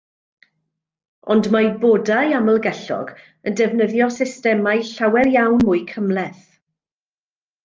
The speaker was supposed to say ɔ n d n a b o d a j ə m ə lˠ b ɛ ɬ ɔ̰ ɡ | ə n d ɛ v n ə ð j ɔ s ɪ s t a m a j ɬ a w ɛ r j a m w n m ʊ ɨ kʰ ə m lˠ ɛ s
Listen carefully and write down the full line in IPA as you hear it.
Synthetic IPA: ɔ n d m a b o d a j a m ə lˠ ɡ ɛ ɬ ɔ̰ ɡ | ə n d ɛ v n ə ð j ɔ s ɪ s t ɛ m a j ɬ a w ɛ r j a w n m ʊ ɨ kʰ ə m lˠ ɛ θ